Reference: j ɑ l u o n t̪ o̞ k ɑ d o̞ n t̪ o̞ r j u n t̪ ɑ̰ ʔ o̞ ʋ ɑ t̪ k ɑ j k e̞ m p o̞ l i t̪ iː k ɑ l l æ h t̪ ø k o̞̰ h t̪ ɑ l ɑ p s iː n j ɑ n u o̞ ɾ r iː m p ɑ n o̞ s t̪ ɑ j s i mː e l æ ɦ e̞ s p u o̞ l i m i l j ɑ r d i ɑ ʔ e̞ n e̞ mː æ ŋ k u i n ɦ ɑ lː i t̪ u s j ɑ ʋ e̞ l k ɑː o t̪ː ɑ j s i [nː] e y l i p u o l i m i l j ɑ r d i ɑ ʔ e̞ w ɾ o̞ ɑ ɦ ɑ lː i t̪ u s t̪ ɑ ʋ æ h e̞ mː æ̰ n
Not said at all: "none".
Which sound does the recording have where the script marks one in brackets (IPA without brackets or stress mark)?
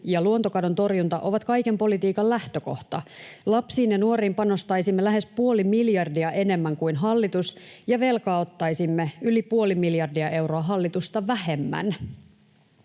mː